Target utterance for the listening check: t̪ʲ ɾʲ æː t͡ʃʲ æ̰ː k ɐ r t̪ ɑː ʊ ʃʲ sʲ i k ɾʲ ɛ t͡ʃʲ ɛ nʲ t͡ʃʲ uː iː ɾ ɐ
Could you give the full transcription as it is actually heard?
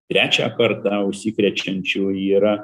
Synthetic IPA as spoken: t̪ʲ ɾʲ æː t͡ʃʲ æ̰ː k ɐ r t̪ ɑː ʊ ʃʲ sʲ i k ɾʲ ɛ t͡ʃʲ ɛ nʲ t͡ʃʲ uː iː ɾ ɐ